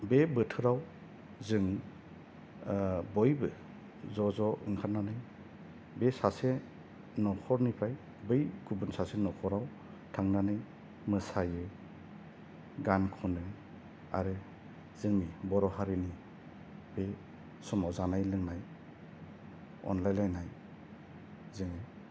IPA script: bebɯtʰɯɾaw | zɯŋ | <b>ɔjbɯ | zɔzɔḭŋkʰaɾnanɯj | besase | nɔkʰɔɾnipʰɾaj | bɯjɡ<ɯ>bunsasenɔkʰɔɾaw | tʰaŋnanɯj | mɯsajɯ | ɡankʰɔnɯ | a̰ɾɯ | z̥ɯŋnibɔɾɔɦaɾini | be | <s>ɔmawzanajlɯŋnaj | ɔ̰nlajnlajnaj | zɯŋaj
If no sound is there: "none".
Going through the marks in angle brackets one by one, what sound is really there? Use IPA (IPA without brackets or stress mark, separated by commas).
b, u, s